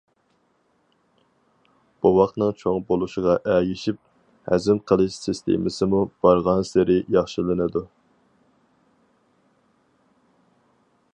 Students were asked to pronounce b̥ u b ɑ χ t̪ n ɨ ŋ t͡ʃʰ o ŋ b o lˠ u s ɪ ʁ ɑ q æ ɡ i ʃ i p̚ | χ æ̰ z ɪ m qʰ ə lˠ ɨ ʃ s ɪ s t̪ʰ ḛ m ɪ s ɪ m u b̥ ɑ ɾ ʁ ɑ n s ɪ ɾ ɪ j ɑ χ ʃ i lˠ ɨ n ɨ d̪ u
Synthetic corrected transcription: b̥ u w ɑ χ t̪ n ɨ ŋ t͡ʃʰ o ŋ b o lˠ u ʃ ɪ ʁ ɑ ʔ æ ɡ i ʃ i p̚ | h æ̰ z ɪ m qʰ ə lˠ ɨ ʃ s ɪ s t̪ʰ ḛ m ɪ s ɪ m u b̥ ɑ ɾ ʁ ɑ n s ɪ ɾ ɪ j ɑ χ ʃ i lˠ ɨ n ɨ d̪ u

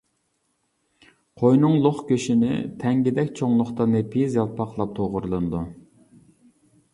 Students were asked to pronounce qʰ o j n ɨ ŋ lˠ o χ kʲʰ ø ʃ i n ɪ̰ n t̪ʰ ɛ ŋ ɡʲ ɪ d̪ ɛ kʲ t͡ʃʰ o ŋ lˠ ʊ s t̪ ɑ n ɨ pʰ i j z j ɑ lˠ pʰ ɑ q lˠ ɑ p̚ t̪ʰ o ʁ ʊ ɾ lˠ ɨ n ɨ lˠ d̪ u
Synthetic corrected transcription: qʰ o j n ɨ ŋ lˠ o χ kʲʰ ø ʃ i n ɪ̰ t̪ʰ ɛ ŋ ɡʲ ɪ d̪ ɛ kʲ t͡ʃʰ o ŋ lˠ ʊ χ t̪ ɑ n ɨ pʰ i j z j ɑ lˠ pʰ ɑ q lˠ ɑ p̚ t̪ʰ o ʁ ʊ ɾ lˠ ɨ n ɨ d̪ u

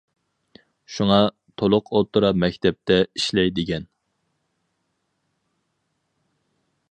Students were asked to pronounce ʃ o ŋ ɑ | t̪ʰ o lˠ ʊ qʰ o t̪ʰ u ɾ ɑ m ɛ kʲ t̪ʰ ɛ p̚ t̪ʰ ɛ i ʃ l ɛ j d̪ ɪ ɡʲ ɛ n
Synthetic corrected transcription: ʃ u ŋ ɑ | t̪ʰ o lˠ ʊ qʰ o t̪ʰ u ɾ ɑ m ɛ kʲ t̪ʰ ɛ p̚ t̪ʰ ɛ i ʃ l ɛ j d̪ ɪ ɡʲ ɛ n

